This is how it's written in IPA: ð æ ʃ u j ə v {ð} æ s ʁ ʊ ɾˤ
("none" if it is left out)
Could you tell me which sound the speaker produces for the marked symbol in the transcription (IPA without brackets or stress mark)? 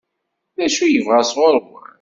ʁ